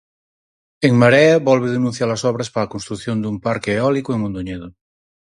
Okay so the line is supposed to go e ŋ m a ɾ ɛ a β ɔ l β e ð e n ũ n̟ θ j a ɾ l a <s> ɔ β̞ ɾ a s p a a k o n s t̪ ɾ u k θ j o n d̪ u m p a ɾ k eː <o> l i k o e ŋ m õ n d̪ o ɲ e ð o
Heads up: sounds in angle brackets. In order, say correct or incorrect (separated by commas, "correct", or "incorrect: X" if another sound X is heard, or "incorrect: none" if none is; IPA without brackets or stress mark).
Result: correct, incorrect: ɔ